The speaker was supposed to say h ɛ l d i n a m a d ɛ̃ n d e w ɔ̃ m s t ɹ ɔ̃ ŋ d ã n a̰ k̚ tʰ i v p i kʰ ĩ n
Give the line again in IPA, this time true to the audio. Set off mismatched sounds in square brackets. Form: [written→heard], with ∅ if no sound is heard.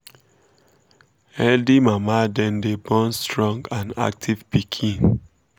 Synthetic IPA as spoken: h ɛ l d i [n→m] a m a d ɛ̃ n d e [w→b] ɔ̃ [m→n] s t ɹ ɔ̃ ŋ [d→ɡ] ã n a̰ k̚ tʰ i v p i kʰ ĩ n

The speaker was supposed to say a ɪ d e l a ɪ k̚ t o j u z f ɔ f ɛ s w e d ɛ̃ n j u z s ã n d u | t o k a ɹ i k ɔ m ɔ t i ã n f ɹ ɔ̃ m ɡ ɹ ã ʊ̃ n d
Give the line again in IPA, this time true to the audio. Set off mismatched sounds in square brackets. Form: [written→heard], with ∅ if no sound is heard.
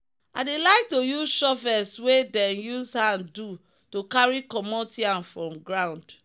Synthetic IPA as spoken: a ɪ d e l a ɪ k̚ t o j u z [f→ʃ] ɔ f ɛ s w e d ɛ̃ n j u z [s→h] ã n d u | t o k a ɹ i k ɔ m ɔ t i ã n f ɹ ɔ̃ m ɡ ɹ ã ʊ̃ n d

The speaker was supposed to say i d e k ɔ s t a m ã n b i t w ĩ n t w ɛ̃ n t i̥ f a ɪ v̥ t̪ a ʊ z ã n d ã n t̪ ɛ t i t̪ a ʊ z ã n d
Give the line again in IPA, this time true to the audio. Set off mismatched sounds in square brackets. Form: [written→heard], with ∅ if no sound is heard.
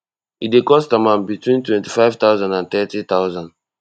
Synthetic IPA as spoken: i d e k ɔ s t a m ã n b i t w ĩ n t w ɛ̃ n t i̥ f a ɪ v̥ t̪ a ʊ z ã n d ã n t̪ ɛ t i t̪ a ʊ z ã n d

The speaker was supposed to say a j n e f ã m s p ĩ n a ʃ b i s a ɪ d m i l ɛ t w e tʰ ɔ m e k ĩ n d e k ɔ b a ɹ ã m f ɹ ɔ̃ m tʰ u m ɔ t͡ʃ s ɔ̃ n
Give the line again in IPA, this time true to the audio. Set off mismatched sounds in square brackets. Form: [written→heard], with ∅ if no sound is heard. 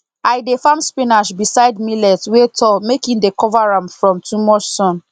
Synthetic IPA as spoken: a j [n→d] e f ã m s p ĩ n a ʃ b i s a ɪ d m i l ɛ t w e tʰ ɔ m e k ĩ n d e k ɔ [b→v] a ɹ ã m f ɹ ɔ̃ m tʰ u m ɔ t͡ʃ s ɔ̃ n

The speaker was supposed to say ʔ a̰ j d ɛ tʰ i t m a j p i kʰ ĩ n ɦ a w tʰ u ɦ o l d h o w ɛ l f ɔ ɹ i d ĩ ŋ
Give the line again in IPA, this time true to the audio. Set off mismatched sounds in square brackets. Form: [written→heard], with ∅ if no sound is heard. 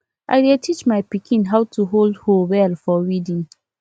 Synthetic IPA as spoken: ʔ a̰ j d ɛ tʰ i [t→t͡ʃ] m a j p i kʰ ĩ n ɦ a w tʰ u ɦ o l d h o w ɛ l f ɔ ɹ i d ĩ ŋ

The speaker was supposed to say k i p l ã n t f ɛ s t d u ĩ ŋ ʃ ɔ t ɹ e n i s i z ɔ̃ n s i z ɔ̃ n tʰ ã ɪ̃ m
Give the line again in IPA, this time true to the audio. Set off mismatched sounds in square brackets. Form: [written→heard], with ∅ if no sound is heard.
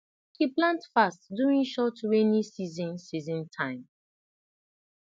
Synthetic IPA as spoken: k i p l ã n t f [ɛ→a] s t d u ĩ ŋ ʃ ɔ t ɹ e n i s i z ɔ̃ n s i z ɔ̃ n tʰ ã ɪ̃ m

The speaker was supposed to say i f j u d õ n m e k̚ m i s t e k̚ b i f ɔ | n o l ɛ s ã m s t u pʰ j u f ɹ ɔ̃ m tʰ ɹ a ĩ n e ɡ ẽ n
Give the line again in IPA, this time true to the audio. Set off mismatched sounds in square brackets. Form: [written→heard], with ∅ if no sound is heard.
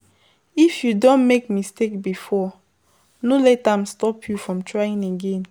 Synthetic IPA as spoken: i f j u d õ n m e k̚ m i s t e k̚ b i f ɔ | n o l ɛ [s→t] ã m s t [u→ɔ] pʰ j u f ɹ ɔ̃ m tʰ ɹ a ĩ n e ɡ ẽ n

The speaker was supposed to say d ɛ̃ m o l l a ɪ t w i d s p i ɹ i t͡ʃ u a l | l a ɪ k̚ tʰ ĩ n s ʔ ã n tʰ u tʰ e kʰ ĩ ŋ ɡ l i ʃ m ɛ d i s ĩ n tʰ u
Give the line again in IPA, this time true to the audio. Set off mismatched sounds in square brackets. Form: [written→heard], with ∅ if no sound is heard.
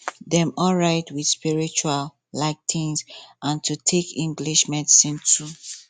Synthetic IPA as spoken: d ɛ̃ m [o→ɔ] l [l→ɹ] a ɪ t w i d s p i ɹ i t͡ʃ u a l | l a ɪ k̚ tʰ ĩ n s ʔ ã n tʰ u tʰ e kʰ ĩ ŋ ɡ l i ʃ m ɛ d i s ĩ n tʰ u

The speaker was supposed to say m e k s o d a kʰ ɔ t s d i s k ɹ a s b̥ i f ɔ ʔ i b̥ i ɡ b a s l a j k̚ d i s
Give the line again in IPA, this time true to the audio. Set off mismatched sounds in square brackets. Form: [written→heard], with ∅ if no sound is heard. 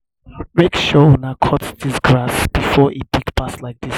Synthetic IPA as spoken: m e k [s→ʃ] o [d→n] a kʰ ɔ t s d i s [k→ɡ] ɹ a s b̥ i f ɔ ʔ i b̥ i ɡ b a s l a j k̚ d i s

